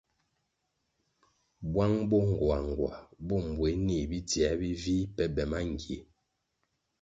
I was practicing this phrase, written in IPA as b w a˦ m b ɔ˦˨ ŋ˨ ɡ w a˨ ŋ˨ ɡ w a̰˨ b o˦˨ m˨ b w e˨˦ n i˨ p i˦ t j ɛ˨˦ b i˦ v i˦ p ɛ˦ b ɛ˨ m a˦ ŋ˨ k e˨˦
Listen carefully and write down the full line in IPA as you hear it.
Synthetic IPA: b w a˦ ŋ b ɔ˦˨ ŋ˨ ɡ w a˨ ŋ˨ ɡ w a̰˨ b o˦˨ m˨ b w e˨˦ n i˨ b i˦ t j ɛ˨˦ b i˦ v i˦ p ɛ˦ b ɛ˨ m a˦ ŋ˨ ɡ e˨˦